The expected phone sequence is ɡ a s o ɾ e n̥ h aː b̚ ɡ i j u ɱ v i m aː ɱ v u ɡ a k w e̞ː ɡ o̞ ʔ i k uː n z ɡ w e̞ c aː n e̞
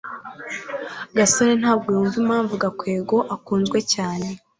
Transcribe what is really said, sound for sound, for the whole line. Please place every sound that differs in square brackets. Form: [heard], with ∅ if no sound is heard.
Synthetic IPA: ɡ a s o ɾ e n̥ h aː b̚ ɡ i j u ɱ v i m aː ɱ v u ɡ a k w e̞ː ɡ o̞ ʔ [a] k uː n z ɡ w e̞ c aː n e̞